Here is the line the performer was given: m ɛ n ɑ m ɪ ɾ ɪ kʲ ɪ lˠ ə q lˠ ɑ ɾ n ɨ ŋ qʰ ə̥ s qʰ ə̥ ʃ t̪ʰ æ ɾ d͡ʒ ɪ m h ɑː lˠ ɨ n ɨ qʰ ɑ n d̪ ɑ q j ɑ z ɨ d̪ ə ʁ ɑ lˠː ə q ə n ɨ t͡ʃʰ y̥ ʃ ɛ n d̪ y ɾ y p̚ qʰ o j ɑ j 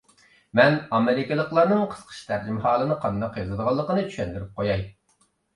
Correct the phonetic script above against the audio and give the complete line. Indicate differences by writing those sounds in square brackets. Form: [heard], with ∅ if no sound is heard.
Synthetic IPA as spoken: m ɛ n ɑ m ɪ ɾ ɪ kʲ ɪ lˠ ə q lˠ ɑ ɾ n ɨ ŋ qʰ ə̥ s qʰ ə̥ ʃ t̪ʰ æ ɾ d͡ʒ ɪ m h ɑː lˠ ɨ n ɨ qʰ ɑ n d̪ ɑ q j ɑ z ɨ d̪ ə ʁ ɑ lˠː ə q ə n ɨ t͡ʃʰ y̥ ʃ ɛ n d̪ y ɾ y p̚ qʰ o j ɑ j